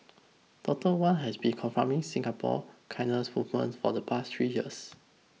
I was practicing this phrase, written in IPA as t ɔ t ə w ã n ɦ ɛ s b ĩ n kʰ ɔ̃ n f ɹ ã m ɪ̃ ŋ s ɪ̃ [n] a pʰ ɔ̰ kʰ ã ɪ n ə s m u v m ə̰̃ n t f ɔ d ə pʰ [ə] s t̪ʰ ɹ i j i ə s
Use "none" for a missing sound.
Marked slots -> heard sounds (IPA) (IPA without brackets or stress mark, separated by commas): ŋ, a